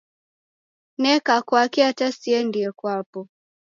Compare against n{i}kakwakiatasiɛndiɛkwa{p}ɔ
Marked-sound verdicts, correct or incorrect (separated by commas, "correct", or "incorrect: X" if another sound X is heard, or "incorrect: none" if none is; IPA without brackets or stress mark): incorrect: ɛ, correct